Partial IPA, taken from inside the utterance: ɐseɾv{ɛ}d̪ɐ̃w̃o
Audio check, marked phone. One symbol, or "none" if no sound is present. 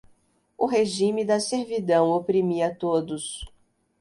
i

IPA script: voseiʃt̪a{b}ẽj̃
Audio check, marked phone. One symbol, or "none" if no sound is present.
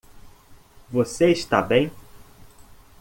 b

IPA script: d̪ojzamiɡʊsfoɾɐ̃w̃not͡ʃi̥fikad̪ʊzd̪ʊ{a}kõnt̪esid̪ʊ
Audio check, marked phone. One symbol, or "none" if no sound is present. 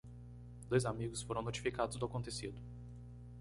a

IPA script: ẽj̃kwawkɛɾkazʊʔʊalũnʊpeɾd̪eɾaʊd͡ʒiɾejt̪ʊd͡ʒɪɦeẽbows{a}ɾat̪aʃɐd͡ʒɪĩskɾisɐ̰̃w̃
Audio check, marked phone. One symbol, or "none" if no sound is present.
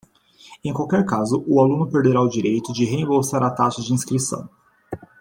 a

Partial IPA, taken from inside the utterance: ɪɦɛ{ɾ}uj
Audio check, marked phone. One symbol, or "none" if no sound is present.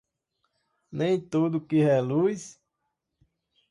l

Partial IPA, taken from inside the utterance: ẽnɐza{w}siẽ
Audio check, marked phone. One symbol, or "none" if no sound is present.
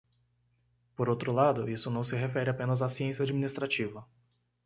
none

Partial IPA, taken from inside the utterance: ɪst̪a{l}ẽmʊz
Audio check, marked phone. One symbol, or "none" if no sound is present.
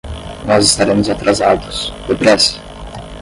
ɾ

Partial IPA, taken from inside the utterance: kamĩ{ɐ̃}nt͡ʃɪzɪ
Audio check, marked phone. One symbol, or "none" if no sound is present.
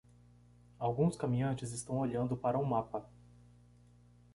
ɐ̃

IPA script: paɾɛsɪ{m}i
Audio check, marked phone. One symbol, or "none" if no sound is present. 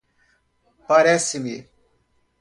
m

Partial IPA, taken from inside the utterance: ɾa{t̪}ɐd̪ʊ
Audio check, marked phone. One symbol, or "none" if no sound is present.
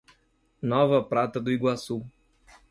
t̪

